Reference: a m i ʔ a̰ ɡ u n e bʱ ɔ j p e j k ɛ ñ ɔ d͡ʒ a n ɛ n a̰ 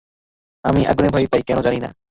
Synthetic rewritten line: a m i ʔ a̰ ɡ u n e bʱ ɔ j p a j k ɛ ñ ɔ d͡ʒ a n i n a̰